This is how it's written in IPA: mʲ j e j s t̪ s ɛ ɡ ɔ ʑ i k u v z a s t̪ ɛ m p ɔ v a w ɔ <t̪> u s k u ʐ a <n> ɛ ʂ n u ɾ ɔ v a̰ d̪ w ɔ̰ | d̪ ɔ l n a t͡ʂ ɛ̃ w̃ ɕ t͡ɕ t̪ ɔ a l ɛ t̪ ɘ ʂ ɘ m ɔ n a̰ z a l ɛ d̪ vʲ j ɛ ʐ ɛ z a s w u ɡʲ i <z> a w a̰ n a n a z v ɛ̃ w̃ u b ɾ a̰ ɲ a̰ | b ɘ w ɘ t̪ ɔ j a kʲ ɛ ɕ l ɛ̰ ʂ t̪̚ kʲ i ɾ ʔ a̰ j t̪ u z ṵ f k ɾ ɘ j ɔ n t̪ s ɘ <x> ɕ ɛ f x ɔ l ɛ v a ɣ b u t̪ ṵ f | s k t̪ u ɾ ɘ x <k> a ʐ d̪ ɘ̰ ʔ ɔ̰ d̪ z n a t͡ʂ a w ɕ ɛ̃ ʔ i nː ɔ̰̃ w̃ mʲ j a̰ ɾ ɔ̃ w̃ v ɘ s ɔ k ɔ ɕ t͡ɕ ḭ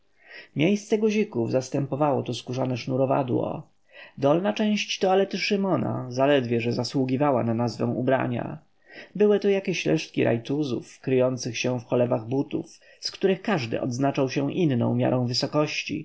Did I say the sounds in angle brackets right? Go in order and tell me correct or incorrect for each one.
correct, correct, incorrect: v, correct, correct

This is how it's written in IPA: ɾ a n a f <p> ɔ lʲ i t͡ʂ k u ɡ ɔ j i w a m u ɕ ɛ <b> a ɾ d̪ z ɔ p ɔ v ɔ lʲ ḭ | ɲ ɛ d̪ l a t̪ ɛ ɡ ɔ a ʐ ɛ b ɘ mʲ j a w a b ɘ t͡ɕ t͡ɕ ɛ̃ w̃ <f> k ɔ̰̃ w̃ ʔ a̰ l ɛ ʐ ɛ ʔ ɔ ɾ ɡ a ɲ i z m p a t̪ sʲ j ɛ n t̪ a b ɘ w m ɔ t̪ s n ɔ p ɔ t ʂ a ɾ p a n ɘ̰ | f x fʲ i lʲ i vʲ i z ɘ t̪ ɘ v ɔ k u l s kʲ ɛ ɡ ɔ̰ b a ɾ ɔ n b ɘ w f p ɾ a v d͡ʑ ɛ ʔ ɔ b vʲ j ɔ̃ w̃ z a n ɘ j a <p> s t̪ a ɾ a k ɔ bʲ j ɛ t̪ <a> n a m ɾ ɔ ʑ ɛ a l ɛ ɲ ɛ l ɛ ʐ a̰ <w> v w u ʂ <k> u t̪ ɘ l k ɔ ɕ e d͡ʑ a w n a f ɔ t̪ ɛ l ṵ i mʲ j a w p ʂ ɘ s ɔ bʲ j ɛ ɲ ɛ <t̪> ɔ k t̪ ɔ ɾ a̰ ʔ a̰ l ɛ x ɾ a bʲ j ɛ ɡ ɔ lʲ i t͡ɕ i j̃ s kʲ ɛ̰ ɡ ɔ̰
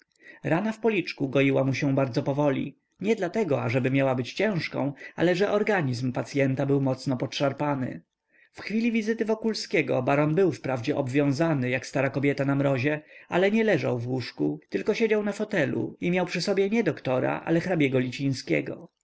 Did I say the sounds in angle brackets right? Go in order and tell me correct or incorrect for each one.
correct, correct, incorrect: ʂ, incorrect: k, correct, correct, correct, incorrect: d̪

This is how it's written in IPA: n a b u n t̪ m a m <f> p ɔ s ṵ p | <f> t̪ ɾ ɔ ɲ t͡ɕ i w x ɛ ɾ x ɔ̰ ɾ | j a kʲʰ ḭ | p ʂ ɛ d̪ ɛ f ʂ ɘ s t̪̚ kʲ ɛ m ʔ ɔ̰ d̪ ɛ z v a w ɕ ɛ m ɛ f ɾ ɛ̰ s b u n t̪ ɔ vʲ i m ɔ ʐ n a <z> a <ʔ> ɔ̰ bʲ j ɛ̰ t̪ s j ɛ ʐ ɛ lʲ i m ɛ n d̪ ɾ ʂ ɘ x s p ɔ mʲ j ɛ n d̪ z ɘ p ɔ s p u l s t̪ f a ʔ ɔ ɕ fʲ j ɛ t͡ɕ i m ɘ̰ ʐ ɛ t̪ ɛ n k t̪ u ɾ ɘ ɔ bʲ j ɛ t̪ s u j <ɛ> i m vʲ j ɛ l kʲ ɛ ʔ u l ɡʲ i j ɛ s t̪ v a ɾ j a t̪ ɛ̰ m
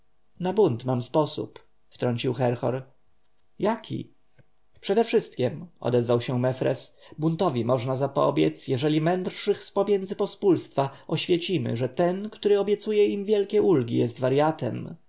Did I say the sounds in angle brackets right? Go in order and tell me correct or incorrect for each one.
incorrect: s, correct, correct, incorrect: p, correct

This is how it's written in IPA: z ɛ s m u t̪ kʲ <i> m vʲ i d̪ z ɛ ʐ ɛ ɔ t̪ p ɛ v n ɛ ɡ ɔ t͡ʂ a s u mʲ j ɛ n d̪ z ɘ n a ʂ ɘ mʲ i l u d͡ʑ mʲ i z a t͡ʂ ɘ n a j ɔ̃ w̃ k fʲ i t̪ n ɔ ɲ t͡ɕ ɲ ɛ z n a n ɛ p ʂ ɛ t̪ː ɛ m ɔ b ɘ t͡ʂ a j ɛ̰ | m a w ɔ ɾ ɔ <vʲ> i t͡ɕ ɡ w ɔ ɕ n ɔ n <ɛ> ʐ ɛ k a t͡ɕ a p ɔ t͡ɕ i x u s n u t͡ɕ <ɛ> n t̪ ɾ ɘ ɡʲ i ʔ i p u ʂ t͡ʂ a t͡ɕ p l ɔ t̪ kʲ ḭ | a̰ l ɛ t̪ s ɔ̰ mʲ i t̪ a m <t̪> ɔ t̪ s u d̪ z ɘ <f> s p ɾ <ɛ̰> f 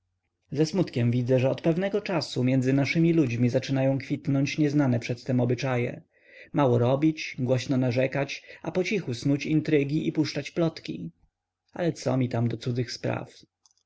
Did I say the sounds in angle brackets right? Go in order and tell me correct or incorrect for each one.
incorrect: ɛ, incorrect: bʲ, incorrect: a, incorrect: i, incorrect: d̪, incorrect: x, incorrect: a̰

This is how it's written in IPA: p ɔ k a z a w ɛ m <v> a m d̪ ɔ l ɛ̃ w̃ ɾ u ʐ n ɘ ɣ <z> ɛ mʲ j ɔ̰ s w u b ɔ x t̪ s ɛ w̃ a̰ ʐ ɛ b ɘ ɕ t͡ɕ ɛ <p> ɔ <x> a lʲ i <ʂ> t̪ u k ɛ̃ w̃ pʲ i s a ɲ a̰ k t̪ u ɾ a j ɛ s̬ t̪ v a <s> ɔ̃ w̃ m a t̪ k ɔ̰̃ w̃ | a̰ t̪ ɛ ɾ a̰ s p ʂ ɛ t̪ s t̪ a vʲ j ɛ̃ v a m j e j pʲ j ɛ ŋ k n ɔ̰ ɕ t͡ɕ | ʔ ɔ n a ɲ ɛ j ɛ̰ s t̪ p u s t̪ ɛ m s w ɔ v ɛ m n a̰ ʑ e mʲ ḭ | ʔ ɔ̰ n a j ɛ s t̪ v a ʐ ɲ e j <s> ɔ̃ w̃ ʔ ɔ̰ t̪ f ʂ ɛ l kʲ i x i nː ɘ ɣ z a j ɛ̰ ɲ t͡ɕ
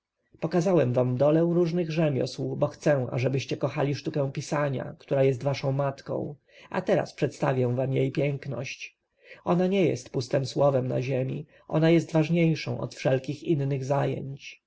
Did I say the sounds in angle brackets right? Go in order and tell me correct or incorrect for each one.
correct, incorrect: ʐ, incorrect: k, correct, correct, incorrect: ʂ, incorrect: ʂ

